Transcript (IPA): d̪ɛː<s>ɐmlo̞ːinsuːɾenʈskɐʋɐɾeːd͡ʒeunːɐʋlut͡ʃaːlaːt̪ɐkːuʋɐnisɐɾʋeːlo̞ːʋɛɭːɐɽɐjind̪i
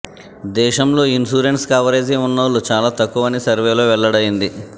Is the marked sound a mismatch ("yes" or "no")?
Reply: yes